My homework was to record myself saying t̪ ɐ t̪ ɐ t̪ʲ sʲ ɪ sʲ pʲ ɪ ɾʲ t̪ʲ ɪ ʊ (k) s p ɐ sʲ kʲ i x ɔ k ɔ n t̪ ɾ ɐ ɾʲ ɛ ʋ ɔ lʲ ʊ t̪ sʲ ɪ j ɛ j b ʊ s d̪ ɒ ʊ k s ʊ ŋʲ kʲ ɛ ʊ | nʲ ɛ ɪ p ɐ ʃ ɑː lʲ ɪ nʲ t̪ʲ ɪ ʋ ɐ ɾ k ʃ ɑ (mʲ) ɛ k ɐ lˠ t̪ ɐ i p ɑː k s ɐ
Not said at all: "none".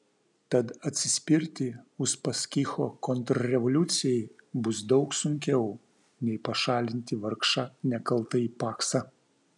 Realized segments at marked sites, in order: none, nʲ

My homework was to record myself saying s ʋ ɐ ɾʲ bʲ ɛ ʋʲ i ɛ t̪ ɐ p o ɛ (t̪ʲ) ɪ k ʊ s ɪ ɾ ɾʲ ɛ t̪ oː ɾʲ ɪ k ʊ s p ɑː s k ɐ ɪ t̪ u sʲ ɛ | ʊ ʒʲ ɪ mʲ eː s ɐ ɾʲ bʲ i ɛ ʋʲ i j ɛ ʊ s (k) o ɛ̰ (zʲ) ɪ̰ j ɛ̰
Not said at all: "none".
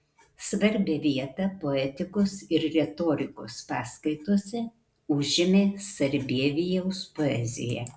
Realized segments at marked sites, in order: t̪ʲ, p, zʲ

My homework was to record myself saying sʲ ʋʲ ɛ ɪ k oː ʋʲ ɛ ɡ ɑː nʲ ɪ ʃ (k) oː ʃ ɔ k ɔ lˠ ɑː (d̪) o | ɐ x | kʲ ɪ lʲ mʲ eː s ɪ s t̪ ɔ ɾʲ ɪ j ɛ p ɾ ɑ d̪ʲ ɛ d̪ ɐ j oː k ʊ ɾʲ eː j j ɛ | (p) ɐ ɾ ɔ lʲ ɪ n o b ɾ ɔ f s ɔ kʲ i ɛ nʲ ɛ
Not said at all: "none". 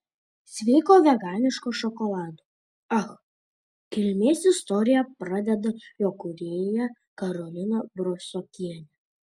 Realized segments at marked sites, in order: k, d̪, k

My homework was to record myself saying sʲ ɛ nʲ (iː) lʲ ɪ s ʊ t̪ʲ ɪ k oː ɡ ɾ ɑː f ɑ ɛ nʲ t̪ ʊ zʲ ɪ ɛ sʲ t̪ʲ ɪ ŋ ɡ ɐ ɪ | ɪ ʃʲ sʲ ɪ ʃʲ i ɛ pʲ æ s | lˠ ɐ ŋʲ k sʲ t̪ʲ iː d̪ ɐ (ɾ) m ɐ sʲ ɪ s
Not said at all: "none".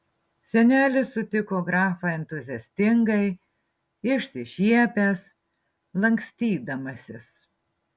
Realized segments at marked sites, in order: æː, none

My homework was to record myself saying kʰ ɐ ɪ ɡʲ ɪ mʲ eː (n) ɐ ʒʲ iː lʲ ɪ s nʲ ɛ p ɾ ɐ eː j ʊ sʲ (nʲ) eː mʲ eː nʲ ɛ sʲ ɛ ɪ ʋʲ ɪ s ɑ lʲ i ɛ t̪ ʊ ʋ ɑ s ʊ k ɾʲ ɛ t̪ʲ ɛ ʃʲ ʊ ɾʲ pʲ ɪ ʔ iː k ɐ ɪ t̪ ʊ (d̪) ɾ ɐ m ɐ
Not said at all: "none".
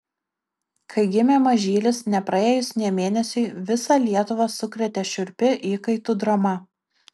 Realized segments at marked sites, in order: m, nʲ, d̪

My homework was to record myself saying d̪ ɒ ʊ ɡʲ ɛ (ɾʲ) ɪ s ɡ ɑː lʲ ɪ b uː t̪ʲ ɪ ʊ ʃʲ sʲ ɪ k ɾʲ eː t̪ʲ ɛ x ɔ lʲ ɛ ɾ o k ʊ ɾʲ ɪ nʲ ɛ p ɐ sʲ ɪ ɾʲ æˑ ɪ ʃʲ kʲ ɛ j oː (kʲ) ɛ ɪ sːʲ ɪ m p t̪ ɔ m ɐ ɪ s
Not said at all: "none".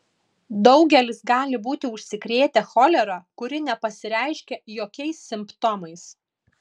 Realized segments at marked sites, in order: lʲ, kʲ

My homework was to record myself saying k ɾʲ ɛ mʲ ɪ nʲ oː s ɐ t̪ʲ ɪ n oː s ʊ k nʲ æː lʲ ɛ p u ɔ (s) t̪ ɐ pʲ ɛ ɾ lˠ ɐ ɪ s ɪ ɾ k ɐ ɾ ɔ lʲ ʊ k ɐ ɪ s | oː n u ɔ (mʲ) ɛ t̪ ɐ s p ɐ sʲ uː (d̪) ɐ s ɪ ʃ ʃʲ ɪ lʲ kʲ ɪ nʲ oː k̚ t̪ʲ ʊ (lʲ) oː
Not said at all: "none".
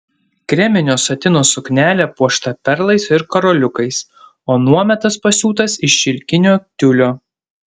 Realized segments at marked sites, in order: ʃ, mʲ, t̪, lʲ

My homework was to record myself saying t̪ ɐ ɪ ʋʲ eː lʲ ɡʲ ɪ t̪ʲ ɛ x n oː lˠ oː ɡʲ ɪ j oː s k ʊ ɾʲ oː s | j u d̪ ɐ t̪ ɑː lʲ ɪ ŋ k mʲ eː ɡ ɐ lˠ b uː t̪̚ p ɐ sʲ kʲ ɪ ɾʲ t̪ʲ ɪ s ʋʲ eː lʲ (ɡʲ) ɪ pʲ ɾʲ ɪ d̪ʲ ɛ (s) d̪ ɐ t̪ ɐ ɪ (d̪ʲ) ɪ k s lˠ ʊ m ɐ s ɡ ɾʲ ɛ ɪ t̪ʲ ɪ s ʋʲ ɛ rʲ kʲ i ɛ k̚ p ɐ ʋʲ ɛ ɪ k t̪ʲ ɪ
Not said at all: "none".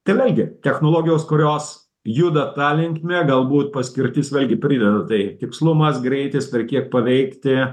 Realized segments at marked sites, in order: ɡʲ, none, t̪ʲ

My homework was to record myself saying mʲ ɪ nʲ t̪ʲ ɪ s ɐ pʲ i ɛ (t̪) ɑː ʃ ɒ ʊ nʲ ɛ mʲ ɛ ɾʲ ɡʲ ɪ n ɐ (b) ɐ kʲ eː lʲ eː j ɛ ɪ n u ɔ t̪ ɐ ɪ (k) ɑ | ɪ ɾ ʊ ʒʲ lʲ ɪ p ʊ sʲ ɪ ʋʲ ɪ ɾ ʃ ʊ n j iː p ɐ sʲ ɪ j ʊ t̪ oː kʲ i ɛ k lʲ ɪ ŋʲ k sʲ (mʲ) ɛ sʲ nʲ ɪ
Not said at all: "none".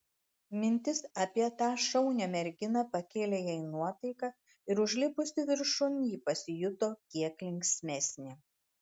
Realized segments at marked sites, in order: t̪, p, k, mʲ

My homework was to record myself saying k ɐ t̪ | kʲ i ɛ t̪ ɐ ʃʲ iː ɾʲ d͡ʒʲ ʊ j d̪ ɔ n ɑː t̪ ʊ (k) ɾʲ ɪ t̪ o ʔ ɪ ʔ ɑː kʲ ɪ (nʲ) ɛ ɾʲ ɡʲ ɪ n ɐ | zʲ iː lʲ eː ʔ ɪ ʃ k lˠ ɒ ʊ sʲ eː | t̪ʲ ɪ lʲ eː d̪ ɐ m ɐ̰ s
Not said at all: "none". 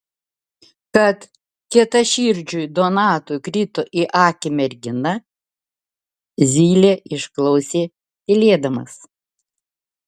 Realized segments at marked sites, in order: k, mʲ

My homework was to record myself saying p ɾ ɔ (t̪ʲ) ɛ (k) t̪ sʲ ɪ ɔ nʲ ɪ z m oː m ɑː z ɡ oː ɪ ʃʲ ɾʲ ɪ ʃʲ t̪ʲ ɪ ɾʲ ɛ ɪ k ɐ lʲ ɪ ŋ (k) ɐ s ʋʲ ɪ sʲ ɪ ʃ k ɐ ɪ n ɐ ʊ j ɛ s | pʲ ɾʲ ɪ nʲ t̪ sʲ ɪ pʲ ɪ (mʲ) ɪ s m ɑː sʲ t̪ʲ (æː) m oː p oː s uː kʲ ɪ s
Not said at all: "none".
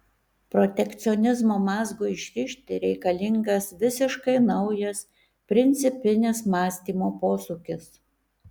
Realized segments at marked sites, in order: t̪ʲ, k, ɡ, nʲ, iː

